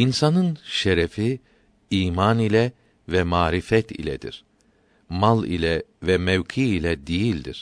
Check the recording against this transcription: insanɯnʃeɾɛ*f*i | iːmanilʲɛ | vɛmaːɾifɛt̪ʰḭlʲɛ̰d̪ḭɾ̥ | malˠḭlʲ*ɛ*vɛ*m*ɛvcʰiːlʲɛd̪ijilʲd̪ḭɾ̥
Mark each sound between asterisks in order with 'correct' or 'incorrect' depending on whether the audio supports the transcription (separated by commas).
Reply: correct, correct, correct